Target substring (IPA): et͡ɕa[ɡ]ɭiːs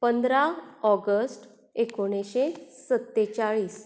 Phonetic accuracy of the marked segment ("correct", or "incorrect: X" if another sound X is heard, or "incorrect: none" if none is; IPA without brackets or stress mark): incorrect: none